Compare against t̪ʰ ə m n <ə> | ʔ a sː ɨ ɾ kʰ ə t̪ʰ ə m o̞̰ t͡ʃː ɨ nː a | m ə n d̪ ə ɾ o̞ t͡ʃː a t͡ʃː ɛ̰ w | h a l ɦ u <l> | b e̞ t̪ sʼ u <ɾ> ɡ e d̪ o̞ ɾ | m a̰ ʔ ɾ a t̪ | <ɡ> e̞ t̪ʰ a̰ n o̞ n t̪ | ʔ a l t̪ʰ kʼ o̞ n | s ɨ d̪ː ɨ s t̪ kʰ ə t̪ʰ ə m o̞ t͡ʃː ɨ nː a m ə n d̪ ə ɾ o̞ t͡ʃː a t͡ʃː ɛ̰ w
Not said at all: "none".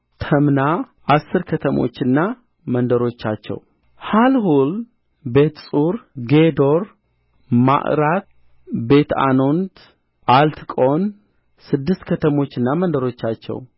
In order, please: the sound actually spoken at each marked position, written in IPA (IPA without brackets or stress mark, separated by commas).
a, l, ɾ, b